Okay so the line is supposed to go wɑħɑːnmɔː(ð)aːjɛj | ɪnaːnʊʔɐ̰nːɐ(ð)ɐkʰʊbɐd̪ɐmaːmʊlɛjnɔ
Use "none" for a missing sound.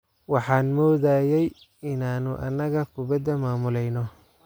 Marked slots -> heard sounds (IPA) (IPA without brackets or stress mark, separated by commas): ð, ɣ